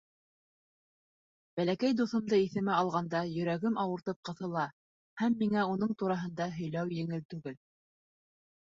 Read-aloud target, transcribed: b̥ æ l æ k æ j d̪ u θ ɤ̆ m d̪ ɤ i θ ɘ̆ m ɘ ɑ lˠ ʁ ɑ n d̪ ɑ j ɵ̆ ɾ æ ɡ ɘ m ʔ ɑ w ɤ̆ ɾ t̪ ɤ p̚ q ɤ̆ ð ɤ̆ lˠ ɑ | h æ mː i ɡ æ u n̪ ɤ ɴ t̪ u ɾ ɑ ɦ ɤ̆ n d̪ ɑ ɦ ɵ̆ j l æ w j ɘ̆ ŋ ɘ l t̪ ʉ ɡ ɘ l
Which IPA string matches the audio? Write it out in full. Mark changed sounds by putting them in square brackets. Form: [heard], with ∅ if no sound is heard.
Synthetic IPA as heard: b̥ æ l æ k æ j d̪ u θ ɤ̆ m d̪ ɤ i θ ɘ̆ m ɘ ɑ lˠ ʁ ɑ n d̪ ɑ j ɵ̆ ɾ æ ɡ ɘ m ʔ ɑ w ɤ̆ ɾ t̪ ɤ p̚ q ɤ̆ [θ] ɤ̆ lˠ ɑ | h æ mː i [ŋ] æ u n̪ ɤ ɴ t̪ u ɾ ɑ ɦ ɤ̆ n d̪ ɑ ɦ ɵ̆ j l æ w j ɘ̆ ŋ ɘ l t̪ ʉ ɡ ɘ l